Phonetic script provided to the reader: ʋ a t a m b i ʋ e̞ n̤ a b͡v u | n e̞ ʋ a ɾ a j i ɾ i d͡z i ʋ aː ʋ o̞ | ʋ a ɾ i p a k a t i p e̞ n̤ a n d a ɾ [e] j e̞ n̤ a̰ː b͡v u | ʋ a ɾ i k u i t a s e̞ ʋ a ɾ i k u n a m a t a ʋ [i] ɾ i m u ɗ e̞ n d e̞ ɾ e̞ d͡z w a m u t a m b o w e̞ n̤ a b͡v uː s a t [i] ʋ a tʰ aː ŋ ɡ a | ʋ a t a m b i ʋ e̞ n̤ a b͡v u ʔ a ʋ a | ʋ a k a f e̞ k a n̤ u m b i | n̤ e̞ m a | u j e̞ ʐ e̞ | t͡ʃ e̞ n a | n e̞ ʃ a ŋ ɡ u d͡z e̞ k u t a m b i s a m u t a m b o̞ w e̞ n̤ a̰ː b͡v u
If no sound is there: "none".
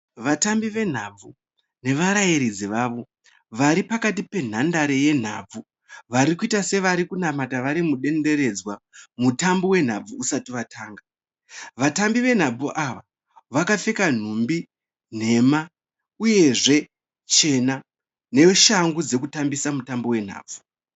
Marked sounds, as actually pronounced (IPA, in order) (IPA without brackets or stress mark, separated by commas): e, a, i